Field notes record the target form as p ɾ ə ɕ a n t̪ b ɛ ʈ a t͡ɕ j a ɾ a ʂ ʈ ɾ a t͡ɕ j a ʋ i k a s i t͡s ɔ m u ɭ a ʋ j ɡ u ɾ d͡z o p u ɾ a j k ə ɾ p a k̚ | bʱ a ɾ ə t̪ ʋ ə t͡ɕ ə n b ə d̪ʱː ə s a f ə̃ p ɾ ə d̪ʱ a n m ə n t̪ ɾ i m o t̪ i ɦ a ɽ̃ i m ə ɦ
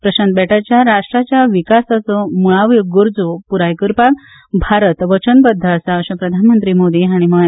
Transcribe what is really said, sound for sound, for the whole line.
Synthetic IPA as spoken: p ɾ ə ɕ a n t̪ b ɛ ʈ a t͡ɕ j a ɾ a ʂ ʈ ɾ a t͡ɕ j a ʋ i k a s a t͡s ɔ m u ɭ a ʋ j ɡ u ɾ d͡z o p u ɾ a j k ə ɾ p a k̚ | bʱ a ɾ ə t̪ ʋ ə t͡ɕ ə n b ə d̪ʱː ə s a ɕ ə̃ p ɾ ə d̪ʱ a n m ə n t̪ ɾ i m o d̪ i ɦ a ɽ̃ i m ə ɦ